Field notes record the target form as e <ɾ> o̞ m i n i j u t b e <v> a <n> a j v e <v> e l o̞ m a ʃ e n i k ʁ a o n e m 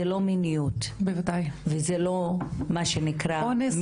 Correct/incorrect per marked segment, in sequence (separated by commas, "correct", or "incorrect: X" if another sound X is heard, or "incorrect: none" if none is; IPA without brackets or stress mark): incorrect: l, correct, incorrect: d, incorrect: z